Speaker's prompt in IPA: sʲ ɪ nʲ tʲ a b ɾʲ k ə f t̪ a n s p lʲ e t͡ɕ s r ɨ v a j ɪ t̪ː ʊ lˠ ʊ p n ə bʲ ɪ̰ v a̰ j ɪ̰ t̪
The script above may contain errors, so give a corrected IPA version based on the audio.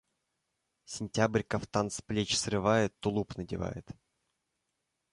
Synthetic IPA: sʲ ɪ nʲ tʲ a b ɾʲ k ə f t̪ a n s p lʲ e t͡ɕ s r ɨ v a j ɪ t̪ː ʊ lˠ u p n ə dʲ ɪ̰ v a̰ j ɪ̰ t̪